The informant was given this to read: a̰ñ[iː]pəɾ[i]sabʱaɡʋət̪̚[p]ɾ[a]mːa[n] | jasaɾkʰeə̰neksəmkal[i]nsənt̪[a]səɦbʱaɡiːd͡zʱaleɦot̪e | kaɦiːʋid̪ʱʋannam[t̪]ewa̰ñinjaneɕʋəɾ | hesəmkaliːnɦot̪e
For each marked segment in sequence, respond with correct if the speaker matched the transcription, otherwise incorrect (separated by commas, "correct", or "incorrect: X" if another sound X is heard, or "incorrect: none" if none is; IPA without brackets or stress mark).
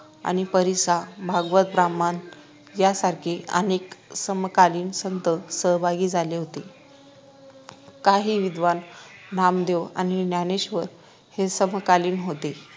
incorrect: i, correct, incorrect: b, correct, correct, incorrect: iː, incorrect: ə, incorrect: d̪